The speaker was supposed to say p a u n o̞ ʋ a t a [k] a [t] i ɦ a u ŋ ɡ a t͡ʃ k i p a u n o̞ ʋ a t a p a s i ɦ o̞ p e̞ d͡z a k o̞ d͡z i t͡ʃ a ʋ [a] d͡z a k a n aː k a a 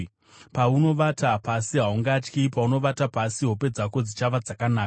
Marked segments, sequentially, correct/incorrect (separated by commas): incorrect, incorrect, correct